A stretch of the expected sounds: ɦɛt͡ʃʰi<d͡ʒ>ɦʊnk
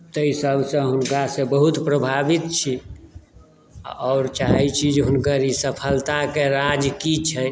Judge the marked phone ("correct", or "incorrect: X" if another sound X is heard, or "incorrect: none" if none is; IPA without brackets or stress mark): correct